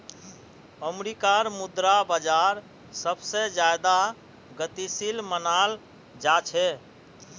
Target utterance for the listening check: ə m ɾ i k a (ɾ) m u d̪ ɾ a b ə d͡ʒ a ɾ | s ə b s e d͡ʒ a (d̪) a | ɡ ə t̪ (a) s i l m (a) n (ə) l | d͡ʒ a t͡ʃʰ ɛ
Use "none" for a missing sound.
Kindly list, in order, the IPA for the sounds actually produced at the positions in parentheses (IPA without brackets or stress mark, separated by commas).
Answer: ɾ, d̪, i, ə, a